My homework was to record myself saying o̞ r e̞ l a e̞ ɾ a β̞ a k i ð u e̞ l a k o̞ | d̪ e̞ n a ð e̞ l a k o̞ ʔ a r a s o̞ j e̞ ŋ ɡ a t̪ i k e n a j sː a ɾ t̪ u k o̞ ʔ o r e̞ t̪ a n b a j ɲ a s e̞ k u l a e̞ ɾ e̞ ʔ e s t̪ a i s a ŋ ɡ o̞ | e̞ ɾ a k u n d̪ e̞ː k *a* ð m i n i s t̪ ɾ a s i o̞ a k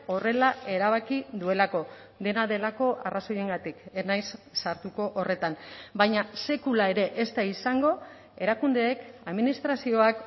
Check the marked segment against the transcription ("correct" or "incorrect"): correct